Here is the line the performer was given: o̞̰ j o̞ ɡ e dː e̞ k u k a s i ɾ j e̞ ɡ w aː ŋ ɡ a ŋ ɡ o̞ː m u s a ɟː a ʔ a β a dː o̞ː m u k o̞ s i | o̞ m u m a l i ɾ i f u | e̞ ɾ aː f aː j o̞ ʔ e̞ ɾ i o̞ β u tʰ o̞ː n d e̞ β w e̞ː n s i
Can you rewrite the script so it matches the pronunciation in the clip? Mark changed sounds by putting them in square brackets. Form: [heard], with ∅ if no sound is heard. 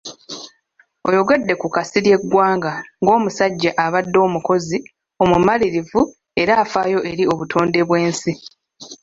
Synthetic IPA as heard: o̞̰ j o̞ ɡ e dː e̞ k u k a s i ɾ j e̞ ɡ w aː ŋ ɡ a ŋ ɡ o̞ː m u s a ɟː a ʔ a β a dː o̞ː m u k o̞ [z] i | o̞ m u m a l i ɾ i [v] u | e̞ ɾ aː f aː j o̞ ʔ e̞ ɾ i o̞ β u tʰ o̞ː n d e̞ β w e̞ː n s i